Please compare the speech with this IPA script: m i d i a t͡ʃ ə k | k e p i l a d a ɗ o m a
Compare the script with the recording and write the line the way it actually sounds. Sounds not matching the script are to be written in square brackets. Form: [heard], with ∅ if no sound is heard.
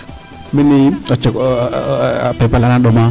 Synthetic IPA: m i [n] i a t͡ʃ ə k | [p] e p [a] l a [n] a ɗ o m a